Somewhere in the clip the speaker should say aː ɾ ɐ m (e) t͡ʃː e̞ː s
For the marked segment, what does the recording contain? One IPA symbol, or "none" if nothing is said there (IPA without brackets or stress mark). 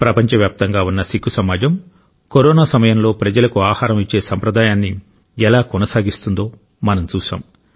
i